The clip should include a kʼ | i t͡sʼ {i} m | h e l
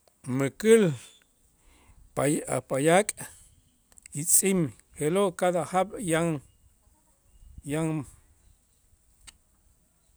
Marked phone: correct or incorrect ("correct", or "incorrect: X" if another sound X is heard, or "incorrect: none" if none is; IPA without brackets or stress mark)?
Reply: correct